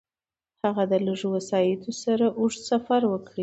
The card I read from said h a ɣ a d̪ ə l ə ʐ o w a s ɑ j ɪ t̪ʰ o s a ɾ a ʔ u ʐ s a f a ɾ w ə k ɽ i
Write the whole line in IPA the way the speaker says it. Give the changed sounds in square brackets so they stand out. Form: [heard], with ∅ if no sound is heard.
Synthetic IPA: h a ɣ a d̪ ə l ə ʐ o w a s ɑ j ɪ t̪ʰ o s a ɾ a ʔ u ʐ s a f a ɾ w ə k ɽ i